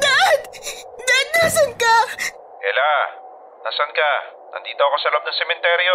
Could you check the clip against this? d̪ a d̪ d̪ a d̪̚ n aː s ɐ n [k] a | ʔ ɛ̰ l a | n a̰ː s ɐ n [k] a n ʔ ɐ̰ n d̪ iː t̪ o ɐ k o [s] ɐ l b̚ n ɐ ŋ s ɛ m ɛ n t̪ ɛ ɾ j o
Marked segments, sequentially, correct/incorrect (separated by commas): correct, correct, correct